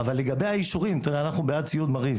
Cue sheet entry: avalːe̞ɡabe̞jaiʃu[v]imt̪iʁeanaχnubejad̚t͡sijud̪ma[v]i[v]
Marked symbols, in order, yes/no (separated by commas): no, no, yes